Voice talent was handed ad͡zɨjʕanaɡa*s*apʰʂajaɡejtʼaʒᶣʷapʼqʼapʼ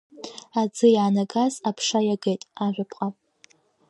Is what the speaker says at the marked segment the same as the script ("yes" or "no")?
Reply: no